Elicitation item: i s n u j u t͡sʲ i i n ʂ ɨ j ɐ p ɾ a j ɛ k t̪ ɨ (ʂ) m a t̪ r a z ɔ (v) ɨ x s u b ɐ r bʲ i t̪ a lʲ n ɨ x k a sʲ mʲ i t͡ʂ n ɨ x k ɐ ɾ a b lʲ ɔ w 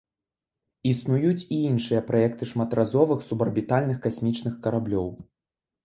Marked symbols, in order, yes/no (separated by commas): yes, yes